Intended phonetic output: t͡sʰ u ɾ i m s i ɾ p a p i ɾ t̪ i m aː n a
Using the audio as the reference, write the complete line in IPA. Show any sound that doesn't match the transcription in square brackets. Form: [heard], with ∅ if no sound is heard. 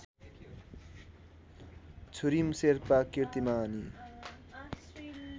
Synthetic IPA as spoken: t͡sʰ u ɾ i m s [e] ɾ p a [k] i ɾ t̪ i m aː n [i]